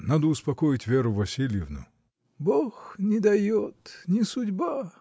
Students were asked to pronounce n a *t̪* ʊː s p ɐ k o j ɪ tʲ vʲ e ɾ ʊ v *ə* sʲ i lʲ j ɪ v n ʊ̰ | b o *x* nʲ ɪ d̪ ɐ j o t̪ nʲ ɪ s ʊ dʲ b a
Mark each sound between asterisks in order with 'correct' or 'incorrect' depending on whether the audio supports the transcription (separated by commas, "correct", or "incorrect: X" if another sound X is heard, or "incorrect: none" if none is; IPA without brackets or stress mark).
incorrect: d̪, incorrect: ɐ, correct